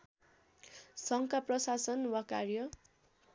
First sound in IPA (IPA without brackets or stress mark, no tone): s